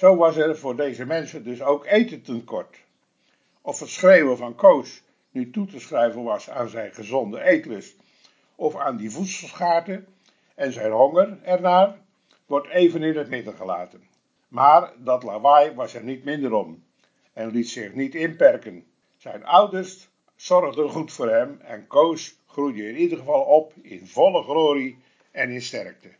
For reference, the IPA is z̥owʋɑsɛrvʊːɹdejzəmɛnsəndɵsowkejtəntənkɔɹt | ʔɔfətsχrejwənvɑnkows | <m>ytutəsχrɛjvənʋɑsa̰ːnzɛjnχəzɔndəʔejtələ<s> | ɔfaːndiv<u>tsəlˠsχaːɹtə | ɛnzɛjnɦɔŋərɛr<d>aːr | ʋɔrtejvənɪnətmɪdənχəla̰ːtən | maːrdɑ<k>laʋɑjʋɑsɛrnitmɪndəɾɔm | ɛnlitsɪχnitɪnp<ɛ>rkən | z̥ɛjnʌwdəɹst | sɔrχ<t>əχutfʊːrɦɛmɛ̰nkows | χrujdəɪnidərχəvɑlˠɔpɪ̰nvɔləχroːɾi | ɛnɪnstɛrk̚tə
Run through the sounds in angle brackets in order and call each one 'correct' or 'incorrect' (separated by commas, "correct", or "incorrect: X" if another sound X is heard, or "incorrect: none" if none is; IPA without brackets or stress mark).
incorrect: n, correct, correct, incorrect: n, incorrect: t, correct, incorrect: d